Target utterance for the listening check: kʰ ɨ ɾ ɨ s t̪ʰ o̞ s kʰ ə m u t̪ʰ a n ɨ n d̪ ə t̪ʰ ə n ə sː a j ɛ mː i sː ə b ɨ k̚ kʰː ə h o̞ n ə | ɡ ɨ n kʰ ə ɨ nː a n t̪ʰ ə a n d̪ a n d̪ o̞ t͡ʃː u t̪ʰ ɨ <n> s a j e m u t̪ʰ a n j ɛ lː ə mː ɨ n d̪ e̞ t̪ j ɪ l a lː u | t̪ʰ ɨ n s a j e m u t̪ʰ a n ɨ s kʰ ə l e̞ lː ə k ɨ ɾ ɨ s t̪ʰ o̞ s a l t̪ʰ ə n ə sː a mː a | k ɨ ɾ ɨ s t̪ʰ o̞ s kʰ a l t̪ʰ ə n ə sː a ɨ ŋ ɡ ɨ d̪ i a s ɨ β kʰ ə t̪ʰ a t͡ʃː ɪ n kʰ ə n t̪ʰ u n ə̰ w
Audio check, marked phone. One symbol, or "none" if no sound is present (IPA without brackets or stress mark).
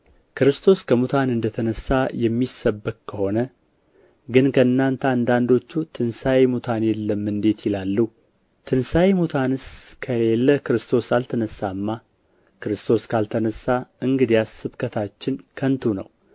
n